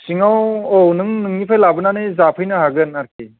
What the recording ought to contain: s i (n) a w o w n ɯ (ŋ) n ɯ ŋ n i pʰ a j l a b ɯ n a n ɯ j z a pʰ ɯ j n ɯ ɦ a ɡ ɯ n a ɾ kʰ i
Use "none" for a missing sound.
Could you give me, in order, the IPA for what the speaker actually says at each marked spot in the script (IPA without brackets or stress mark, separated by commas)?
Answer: ŋ, ŋ